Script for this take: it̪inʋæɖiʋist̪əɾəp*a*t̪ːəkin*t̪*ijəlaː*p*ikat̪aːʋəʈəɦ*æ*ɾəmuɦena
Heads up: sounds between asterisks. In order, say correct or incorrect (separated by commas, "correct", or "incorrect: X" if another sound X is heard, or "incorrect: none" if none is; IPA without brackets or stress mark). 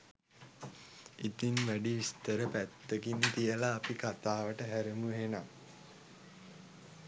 incorrect: æ, correct, correct, correct